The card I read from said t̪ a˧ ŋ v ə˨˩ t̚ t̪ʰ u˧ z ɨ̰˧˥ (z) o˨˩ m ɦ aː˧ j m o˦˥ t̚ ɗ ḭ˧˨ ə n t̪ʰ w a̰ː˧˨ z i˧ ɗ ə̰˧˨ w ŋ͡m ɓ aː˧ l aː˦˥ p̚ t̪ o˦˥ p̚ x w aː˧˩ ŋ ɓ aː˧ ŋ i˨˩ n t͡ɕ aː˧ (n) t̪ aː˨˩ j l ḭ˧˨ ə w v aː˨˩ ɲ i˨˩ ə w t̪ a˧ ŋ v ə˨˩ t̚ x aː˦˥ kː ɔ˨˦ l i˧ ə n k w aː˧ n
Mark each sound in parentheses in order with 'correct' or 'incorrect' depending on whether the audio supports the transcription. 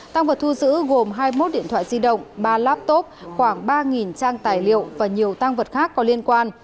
incorrect: ɣ, incorrect: ŋ

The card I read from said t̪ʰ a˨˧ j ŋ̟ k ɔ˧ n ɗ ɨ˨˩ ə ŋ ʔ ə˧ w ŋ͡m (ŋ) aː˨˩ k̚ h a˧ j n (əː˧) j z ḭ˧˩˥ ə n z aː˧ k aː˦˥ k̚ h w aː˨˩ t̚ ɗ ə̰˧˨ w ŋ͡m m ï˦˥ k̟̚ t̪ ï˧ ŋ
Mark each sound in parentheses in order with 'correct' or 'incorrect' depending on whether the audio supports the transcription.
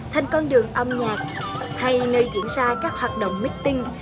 incorrect: ɲ, correct

